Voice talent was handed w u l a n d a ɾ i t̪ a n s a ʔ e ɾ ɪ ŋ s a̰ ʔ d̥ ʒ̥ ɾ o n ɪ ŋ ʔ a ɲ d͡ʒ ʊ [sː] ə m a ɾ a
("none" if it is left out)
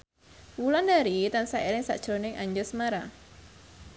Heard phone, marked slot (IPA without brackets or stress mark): s